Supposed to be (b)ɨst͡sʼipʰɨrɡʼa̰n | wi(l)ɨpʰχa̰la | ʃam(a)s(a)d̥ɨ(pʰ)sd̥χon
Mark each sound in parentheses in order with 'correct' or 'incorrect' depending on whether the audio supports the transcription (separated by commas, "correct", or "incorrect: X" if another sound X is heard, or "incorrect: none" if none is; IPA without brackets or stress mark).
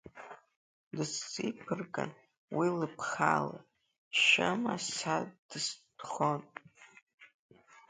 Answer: incorrect: d, correct, correct, correct, incorrect: none